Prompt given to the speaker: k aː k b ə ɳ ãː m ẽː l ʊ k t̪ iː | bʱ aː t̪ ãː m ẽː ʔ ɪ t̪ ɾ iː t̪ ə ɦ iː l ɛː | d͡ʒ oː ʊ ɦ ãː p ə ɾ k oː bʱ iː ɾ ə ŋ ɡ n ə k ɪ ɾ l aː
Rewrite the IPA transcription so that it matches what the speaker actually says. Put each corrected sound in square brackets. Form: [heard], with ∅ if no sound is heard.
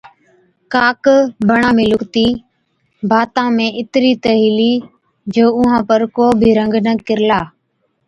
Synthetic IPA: k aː k b ə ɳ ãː m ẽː l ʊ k t̪ iː | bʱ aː t̪ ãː m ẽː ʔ ɪ t̪ ɾ iː t̪ ə ɦ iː l [iː] | d͡ʒ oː ʊ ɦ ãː p ə ɾ k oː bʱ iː ɾ ə ŋ ɡ n ə k ɪ ɾ l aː